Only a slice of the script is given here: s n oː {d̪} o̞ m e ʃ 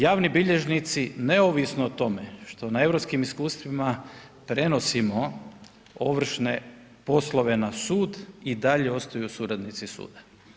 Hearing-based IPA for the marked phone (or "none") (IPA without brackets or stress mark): t̪